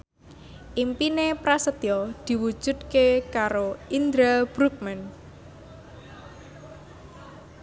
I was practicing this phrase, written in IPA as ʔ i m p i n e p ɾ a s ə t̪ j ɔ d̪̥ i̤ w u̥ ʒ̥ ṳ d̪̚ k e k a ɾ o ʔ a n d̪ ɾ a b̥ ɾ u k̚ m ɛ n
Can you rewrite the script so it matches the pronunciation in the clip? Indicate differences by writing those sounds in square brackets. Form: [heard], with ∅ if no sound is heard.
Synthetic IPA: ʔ i m p i n e p ɾ a s ə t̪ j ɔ d̪̥ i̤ w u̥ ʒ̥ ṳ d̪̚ k e k a ɾ o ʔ [i] n d̪ ɾ a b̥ ɾ u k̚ m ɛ n